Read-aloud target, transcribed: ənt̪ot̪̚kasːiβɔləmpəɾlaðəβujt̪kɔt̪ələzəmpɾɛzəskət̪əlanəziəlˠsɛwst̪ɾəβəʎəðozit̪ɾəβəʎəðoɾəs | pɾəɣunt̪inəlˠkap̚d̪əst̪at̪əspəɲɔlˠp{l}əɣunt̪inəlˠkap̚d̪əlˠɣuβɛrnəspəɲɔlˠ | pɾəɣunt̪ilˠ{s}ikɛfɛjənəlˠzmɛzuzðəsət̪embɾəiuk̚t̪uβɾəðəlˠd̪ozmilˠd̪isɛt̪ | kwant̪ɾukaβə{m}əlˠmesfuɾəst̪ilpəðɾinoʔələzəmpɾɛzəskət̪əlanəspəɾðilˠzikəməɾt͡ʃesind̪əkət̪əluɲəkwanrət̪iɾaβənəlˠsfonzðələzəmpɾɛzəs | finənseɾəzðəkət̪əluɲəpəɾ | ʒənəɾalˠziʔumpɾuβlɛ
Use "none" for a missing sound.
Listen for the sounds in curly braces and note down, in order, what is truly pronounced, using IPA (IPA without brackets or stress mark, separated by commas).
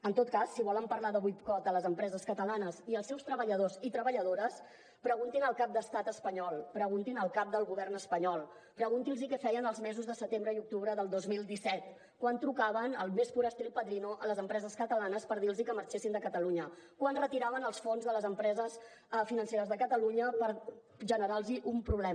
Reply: ɾ, z, n